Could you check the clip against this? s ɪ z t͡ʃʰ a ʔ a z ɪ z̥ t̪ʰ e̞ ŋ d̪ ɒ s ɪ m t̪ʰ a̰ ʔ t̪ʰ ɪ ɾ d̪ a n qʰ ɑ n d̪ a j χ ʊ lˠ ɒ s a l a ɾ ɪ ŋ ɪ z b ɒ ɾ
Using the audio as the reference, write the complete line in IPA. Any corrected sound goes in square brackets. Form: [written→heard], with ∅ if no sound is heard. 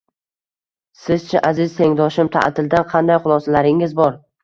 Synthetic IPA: s ɪ z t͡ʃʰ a ʔ a z ɪ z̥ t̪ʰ e̞ ŋ d̪ ɒ [s→ʃ] ɪ m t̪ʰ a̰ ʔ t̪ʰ ɪ [ɾ→l] d̪ a n qʰ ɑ n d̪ a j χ ʊ lˠ ɒ s a l a ɾ ɪ ŋ ɪ z b ɒ ɾ